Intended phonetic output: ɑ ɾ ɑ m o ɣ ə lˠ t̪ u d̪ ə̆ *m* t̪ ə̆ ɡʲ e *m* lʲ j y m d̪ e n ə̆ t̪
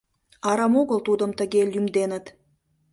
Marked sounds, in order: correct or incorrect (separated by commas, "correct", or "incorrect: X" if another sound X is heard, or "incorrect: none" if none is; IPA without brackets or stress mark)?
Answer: correct, incorrect: none